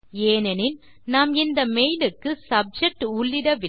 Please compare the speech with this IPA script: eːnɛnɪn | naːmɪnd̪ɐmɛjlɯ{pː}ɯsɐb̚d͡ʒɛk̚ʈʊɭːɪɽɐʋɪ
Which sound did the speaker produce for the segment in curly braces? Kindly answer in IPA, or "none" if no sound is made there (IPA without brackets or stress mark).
kː